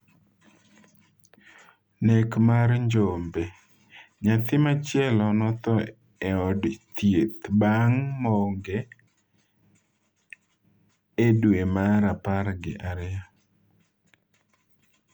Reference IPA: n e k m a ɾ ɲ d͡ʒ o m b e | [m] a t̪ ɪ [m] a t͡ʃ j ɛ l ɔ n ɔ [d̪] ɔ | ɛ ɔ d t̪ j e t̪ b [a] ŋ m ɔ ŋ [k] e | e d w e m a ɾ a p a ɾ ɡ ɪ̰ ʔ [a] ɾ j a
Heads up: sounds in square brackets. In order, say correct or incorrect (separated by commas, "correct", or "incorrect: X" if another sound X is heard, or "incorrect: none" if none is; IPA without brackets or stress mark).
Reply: incorrect: ɲ, correct, incorrect: t̪, correct, incorrect: ɡ, correct